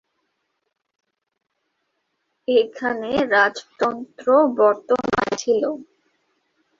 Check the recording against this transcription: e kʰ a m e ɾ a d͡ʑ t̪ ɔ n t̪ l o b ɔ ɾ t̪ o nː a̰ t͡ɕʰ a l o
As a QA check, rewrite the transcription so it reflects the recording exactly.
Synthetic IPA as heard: e kʰ a n e ɾ a d͡ʑ t̪ ɔ n t̪ ɾ o b ɔ ɾ t̪ o n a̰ t͡ɕʰ i l o